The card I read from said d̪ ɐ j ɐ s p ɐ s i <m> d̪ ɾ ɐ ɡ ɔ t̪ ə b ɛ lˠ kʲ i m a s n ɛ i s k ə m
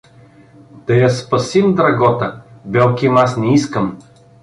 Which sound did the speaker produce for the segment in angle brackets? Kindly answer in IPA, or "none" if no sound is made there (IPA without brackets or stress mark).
m